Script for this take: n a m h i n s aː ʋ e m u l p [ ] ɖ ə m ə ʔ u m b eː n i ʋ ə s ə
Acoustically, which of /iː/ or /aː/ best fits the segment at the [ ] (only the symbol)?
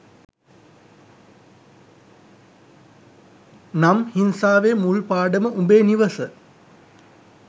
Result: aː